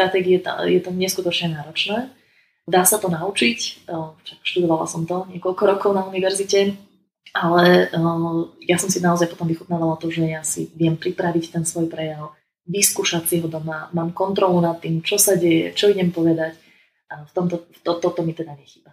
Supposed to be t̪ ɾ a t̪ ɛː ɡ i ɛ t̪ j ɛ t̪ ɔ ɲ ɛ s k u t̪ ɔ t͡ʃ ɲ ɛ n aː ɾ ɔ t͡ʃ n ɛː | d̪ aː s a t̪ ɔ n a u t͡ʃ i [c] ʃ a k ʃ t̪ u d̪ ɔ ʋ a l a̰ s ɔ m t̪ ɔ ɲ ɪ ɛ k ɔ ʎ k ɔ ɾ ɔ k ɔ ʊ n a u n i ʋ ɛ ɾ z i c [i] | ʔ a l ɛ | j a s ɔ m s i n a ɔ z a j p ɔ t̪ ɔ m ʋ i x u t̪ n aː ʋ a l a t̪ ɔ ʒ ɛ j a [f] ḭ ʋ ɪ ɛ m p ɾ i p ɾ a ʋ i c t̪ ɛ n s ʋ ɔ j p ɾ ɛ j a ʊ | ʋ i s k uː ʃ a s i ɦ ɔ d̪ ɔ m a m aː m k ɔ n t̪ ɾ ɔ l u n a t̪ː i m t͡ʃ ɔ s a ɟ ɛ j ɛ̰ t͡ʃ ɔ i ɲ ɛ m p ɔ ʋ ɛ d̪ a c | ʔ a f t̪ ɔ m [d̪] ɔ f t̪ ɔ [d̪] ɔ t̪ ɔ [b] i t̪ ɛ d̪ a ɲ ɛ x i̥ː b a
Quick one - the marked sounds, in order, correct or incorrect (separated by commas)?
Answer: correct, incorrect, incorrect, incorrect, incorrect, incorrect